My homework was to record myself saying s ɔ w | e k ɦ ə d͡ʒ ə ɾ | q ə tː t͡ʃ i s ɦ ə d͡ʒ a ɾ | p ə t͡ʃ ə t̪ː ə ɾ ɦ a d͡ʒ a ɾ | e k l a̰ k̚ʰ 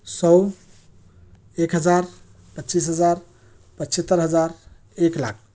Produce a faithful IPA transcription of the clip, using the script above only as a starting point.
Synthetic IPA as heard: s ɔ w | e k ɦ ə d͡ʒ a ɾ | p ə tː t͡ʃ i s ɦ ə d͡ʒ a ɾ | p ə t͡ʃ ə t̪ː ə ɾ ɦ ə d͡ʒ a ɾ | e k l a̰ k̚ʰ